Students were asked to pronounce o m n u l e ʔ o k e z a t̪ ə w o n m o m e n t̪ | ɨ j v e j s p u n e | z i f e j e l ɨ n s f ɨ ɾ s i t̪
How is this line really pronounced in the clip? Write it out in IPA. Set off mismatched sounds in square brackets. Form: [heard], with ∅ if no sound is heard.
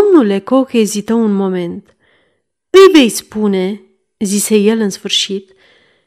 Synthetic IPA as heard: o m n u l e [k] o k e z [i] t̪ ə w [u] n m o m e n t̪ | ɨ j v e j s p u n e | z i [s] e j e l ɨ n s f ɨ ɾ [ʃ] i t̪